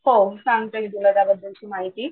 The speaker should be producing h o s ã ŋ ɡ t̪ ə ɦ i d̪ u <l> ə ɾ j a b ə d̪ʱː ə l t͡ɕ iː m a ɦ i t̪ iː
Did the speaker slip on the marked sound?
no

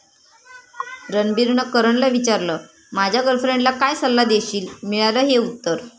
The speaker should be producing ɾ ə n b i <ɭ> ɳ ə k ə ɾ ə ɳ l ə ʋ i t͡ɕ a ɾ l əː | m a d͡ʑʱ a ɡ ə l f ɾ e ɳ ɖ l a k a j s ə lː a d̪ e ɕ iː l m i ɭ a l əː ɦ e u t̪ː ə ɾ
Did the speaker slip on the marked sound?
yes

